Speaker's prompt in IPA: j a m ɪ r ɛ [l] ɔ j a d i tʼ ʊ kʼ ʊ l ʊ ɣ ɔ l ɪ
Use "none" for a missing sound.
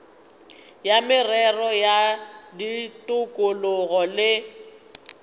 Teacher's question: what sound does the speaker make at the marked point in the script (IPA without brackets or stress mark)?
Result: r